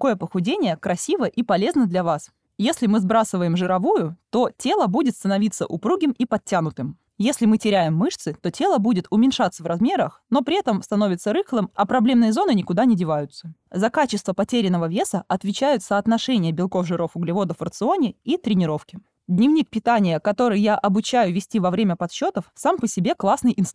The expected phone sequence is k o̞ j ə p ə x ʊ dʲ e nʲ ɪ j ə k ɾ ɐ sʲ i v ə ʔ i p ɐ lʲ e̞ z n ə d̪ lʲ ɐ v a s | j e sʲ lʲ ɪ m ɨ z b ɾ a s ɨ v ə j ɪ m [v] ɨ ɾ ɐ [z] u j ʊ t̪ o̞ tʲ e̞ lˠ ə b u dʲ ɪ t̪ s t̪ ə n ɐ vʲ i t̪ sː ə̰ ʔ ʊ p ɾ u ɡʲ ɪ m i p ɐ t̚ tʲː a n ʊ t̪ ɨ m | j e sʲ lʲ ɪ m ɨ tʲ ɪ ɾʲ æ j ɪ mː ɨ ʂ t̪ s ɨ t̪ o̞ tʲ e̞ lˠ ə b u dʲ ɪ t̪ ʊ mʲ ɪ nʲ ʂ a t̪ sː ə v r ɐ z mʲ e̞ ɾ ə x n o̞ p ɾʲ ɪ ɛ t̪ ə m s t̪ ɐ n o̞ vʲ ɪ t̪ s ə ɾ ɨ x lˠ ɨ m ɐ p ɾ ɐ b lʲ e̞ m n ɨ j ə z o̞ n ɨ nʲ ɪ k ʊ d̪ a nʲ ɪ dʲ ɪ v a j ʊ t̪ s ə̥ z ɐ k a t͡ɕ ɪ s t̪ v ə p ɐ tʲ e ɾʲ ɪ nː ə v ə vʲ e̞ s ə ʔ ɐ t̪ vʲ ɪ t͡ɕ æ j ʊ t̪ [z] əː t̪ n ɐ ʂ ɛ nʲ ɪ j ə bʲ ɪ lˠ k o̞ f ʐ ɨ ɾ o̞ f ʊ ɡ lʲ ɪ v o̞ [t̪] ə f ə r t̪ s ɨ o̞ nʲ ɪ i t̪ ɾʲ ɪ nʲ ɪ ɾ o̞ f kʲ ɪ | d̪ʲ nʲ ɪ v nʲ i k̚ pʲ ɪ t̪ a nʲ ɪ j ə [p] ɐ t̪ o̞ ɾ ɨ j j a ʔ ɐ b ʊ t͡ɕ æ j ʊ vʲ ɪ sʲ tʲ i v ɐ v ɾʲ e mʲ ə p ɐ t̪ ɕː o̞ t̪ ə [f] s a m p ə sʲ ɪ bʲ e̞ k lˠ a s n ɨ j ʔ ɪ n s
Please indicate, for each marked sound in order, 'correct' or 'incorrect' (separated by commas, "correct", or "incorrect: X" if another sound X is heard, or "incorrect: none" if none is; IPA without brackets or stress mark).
incorrect: ʐ, incorrect: v, incorrect: s, incorrect: d̪, incorrect: k, correct